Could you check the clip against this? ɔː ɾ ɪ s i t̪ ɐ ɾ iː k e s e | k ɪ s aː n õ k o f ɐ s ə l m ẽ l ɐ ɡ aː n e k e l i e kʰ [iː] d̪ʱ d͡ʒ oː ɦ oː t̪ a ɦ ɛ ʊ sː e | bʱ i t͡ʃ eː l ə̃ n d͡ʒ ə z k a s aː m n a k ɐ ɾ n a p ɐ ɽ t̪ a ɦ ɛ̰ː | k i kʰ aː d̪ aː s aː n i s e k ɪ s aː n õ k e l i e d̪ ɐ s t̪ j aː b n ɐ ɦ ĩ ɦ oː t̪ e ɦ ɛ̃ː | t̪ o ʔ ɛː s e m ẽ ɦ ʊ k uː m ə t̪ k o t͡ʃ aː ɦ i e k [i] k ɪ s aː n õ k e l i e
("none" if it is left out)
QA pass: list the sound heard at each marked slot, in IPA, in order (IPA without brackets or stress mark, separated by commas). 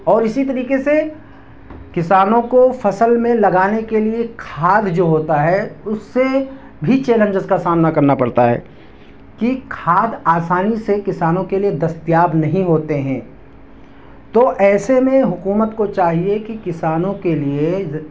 aː, i